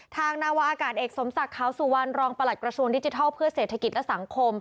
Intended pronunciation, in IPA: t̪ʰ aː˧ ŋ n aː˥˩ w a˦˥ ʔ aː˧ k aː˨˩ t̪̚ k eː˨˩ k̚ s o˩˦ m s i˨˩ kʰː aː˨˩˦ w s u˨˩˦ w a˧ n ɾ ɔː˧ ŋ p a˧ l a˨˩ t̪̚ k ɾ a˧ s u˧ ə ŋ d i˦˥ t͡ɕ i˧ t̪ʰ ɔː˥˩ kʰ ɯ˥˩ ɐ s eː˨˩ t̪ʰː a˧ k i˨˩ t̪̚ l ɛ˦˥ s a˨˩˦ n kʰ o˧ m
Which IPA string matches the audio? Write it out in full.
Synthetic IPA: t̪ʰ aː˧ ŋ n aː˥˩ w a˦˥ ʔ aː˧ k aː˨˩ t̪̚ ʔ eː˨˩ k̚ s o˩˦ m s a˨˩ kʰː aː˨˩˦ w s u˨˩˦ w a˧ n ɾ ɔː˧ ŋ p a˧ l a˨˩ t̪̚ k ɾ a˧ s u˧ ə ŋ d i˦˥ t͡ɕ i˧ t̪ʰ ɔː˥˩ pʰ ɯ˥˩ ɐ s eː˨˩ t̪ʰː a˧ k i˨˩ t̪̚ l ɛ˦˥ s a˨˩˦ ŋ kʰ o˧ m